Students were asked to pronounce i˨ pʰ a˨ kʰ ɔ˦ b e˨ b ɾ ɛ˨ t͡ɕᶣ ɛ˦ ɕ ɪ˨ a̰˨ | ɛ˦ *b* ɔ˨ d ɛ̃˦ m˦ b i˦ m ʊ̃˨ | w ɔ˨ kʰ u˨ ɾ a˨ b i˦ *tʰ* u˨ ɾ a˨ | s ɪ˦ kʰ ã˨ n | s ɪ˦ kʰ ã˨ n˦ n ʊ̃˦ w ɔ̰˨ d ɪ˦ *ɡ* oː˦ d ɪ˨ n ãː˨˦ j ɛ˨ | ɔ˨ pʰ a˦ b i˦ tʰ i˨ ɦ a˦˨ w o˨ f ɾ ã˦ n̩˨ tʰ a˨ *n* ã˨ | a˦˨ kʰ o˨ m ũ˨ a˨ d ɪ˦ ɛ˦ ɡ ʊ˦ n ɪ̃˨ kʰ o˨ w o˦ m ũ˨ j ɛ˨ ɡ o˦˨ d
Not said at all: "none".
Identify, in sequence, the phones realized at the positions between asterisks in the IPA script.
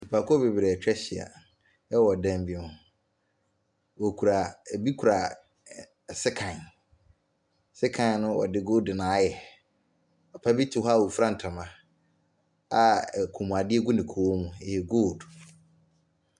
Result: w, kʰ, ɡ, m

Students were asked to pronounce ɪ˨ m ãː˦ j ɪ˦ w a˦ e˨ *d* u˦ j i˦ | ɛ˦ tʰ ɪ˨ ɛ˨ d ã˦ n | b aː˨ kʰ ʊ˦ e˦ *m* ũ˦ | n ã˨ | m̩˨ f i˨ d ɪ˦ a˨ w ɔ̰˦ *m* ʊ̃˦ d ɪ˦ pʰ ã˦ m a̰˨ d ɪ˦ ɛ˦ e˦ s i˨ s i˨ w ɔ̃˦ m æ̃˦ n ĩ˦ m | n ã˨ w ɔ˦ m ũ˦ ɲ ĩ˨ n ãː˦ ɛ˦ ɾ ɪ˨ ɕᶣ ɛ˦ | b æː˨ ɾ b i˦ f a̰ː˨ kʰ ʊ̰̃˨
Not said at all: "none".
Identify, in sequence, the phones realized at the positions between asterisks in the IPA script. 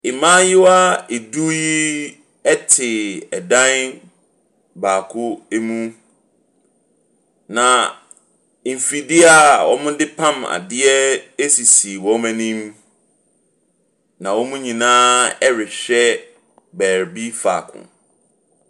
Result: d, m, m

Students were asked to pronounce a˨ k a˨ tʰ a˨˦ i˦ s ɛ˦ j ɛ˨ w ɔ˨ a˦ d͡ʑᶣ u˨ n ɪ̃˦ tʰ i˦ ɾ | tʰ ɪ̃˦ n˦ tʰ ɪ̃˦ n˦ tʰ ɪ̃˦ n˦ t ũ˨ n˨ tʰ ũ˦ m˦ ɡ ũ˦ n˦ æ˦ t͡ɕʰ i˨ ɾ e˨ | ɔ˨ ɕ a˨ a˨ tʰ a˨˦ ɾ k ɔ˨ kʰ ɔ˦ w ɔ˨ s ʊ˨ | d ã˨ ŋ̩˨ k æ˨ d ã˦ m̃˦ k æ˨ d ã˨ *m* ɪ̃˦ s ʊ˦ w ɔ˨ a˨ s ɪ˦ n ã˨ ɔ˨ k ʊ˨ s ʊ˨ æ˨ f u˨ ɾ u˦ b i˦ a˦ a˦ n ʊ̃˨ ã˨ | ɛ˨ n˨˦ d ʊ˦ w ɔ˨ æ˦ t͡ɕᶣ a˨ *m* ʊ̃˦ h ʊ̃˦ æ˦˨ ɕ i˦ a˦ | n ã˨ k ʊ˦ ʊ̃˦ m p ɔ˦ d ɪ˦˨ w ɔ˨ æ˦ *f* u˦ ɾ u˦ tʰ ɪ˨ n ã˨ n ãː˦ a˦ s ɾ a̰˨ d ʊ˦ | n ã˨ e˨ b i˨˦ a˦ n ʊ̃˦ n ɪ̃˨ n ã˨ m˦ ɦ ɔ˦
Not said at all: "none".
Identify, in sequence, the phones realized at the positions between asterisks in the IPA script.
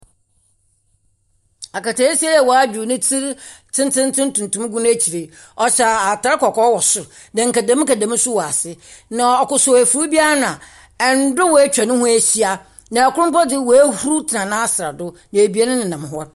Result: m, n, h

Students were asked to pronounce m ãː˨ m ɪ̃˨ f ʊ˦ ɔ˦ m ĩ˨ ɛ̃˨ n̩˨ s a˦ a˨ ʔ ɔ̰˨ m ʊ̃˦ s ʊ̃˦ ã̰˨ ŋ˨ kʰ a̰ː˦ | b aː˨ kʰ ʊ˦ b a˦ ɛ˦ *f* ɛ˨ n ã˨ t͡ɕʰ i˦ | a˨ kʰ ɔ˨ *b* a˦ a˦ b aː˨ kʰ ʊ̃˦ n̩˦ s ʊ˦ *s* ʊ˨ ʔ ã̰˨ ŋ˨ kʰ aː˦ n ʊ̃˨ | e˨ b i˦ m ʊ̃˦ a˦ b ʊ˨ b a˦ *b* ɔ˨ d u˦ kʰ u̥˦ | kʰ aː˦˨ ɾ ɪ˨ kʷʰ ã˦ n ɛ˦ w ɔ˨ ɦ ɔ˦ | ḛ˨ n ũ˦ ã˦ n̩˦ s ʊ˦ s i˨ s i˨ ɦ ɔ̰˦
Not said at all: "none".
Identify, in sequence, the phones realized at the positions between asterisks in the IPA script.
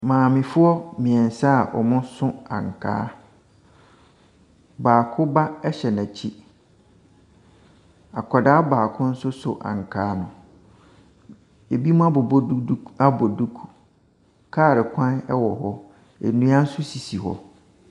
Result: ɕ, d, s, b

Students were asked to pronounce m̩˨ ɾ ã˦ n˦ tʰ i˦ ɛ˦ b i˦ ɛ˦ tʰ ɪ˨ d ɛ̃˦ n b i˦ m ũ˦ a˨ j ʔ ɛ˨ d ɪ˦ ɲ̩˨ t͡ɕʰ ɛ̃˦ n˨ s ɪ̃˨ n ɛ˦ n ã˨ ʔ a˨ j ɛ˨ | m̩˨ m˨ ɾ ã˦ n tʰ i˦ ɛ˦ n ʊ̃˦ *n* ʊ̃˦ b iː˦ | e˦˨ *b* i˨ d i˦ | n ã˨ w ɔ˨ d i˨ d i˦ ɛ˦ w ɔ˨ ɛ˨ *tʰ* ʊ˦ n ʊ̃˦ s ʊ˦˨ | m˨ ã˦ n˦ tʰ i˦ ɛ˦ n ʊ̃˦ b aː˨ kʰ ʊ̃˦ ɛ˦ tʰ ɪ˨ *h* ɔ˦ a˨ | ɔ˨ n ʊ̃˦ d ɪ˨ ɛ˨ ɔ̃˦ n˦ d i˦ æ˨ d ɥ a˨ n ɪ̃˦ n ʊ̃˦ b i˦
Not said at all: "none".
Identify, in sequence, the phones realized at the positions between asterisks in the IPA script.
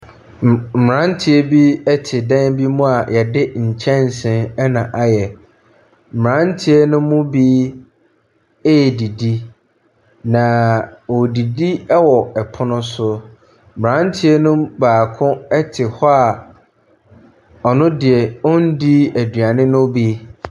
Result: m, d, pʰ, h

